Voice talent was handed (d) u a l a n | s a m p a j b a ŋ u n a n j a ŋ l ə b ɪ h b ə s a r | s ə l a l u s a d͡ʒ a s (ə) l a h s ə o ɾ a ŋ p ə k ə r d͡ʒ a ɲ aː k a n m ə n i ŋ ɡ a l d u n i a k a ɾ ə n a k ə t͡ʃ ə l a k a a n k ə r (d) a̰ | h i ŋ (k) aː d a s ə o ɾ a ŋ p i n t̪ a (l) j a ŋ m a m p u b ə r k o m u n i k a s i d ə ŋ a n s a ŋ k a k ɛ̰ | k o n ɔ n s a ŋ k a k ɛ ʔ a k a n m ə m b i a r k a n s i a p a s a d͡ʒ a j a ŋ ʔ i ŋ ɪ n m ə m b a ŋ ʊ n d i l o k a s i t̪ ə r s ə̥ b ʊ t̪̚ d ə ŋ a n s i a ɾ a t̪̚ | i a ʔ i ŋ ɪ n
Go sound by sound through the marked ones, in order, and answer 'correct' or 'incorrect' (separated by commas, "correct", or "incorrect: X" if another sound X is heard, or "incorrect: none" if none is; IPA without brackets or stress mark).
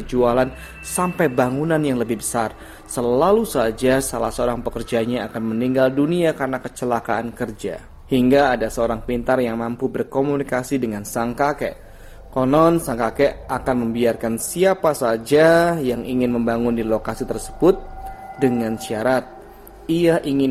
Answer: incorrect: d͡ʒ, incorrect: a, incorrect: d͡ʒ, incorrect: ɡ, incorrect: r